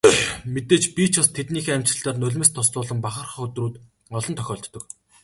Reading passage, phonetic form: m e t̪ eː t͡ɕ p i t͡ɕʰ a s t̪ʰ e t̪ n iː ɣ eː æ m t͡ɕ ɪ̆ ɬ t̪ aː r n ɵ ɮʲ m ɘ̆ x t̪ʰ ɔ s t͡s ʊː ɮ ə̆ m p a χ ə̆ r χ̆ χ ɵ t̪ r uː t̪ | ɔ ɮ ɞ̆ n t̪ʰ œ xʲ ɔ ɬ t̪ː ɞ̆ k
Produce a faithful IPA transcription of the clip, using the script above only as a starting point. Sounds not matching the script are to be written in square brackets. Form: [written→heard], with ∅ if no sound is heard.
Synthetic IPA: m e t̪ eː t͡ɕ p i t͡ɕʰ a s t̪ʰ e t̪ n iː [ɣ→x] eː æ m t͡ɕ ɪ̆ ɬ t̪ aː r n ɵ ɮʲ m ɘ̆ [x→s] t̪ʰ ɔ s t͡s ʊː ɮ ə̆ m p a χ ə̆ r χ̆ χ ɵ t̪ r uː t̪ | ɔ ɮ ɞ̆ n t̪ʰ œ xʲ [ɔ→ɔː] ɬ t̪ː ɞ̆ k